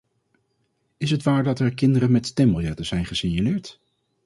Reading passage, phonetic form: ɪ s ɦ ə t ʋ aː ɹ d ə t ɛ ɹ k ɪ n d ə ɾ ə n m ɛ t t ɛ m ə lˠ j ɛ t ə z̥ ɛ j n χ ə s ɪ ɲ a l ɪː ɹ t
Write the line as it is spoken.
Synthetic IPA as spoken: ɪ s ɦ ə t ʋ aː ɹ d ɑ t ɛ ɹ k ɪ n d ə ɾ ə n m ɛ t t ɛ m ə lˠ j ɛ t ə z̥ ɛ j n χ ə s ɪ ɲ a l ɪː ɹ t